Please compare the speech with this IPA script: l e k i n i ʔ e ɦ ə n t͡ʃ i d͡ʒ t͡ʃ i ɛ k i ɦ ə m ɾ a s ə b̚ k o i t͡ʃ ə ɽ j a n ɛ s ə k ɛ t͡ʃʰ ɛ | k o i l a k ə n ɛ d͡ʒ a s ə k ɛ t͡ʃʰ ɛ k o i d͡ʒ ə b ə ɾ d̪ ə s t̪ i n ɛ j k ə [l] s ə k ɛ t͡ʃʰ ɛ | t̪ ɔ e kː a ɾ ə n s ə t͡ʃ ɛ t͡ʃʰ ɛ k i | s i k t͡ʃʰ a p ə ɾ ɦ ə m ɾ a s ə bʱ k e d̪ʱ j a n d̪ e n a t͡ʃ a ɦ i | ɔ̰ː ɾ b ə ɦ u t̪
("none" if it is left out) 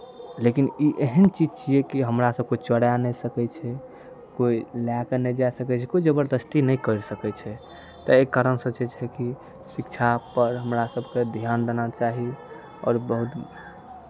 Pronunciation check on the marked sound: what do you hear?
ɾ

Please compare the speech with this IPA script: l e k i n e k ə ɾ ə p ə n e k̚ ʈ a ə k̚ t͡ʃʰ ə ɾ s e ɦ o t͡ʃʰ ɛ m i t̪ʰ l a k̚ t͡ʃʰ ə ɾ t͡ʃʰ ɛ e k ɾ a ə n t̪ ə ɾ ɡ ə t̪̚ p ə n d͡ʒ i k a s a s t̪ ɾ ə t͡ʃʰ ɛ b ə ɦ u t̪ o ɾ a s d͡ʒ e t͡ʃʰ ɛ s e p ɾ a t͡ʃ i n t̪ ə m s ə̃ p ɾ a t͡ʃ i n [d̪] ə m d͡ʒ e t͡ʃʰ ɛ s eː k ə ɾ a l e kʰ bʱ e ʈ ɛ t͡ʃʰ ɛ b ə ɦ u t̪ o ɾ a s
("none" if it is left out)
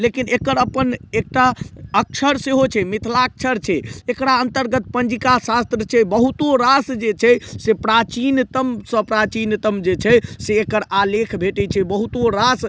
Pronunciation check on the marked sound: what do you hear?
t̪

